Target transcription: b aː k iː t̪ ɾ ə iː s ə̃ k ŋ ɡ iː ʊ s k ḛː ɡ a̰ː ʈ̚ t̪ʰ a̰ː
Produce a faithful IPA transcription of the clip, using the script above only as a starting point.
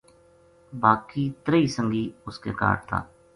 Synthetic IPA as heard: b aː k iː t̪ ɾ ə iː s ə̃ ŋ ɡ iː ʊ s k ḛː k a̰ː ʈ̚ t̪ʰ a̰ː

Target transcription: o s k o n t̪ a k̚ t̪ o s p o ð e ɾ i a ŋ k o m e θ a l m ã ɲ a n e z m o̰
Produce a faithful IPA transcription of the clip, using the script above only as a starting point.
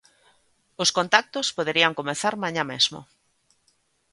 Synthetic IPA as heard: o s k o n t̪ a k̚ t̪ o s p o ð e ɾ i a ŋ k o m e θ a ɾ m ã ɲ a m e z m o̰

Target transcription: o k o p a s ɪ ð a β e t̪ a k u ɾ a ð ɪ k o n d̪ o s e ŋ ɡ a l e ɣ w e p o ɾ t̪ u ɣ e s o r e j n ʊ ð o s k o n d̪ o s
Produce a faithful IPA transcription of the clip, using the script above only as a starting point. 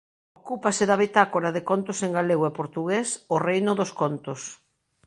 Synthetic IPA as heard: o k u p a s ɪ ð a β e t̪ a k o ɾ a ð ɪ k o n t̪ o s e ŋ ɡ a l e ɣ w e p o ɾ t̪ u ɣ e s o r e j n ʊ ð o s k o n t̪ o s

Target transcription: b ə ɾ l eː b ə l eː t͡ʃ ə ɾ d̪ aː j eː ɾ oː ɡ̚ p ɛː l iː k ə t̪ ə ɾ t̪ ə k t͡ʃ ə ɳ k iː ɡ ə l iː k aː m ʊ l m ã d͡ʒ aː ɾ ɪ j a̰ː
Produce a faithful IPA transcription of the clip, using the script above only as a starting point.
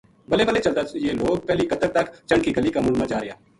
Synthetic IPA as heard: b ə l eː b ə l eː t͡ʃ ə l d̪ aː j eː l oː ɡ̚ p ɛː l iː k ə t̪ ə ɾ t̪ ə k t͡ʃ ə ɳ k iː ɡ ə l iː k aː m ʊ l m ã d͡ʒ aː ɾ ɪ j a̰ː

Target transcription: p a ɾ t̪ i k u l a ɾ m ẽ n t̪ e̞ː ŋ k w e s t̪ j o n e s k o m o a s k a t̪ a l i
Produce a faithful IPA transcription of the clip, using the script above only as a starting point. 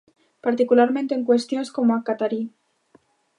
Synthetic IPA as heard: p a ɾ t̪ i k u l a ɾ m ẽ n t̪ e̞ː ŋ k w e s t̪ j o n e s k o m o a k a t̪ a ɾ i

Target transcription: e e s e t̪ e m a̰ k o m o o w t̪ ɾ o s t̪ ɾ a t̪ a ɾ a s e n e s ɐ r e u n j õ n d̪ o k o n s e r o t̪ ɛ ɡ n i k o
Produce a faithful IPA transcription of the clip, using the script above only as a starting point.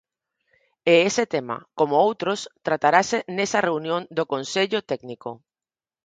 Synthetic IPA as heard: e e s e t̪ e m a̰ k o m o o w t̪ ɾ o s t̪ ɾ a t̪ a ɾ a s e n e s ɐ r e u n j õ n d̪ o k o n s e ʎ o t̪ ɛ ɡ n i k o

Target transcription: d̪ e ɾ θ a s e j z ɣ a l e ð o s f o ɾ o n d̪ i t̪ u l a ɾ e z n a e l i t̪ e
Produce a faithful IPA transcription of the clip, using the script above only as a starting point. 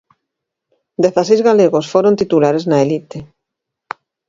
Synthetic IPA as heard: d̪ e θ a s e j z ɣ a l e ɣ o s f o ɾ o n t̪ i t̪ u l a ɾ e z n a e l i t̪ e

